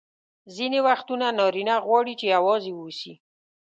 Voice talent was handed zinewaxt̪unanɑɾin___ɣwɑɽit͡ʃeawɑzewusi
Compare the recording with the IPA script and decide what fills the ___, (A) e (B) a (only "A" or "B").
B